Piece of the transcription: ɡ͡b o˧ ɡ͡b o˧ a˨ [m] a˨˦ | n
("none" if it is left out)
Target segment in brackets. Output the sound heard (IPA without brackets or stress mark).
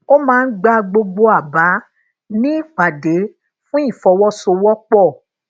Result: b